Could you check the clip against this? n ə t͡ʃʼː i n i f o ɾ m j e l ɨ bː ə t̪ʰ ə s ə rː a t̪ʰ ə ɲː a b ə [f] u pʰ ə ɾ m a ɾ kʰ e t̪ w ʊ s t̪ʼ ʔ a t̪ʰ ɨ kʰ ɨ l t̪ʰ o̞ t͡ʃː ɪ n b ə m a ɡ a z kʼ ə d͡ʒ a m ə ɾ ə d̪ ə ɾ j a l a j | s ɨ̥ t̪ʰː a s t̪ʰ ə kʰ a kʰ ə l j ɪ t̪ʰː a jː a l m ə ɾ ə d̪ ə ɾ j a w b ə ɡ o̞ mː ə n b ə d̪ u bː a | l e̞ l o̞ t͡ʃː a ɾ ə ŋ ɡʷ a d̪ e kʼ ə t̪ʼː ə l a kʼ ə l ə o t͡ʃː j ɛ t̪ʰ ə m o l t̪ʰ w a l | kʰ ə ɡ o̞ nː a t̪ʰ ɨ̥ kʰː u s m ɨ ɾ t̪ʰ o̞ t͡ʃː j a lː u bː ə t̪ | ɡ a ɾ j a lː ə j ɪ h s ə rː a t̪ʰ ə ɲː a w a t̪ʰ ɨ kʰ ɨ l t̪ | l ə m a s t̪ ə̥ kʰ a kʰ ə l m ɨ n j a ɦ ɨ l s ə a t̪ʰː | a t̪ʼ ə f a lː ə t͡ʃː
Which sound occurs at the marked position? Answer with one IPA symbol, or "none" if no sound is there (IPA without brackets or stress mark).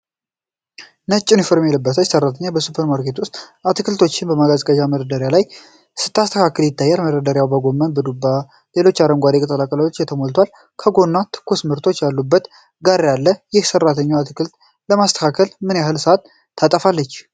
s